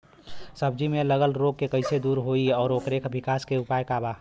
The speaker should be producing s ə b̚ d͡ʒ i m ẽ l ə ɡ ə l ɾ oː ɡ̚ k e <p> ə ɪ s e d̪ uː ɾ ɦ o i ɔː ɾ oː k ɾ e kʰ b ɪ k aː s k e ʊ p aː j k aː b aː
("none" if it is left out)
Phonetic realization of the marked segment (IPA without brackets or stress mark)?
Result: k